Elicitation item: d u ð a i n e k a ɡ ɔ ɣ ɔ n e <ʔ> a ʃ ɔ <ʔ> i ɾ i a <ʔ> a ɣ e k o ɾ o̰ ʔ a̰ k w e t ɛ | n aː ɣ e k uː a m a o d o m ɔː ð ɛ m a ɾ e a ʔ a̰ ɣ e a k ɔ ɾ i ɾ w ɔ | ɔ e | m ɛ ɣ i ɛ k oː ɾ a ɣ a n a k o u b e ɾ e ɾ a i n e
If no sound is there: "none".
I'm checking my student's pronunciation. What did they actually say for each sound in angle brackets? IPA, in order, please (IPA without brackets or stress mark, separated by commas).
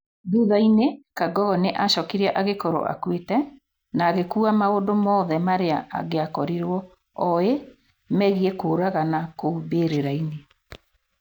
ʔ, k, ʔ